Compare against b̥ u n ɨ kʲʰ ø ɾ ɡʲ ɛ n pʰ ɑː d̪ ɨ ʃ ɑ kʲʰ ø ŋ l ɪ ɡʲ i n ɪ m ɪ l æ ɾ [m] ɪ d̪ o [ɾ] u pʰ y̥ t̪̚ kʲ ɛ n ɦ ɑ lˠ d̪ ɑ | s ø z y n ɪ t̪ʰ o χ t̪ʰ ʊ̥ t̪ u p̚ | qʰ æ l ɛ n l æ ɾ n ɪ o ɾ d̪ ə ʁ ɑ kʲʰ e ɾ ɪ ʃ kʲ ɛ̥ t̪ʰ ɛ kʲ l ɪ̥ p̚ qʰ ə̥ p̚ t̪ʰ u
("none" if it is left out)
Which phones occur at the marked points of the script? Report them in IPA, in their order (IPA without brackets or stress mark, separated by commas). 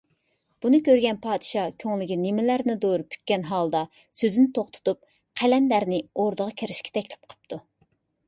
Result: n, ɾ